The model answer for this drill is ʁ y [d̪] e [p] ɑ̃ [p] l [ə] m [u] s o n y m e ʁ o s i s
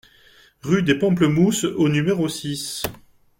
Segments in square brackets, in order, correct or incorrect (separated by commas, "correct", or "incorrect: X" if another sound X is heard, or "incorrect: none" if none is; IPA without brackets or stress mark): correct, correct, correct, correct, correct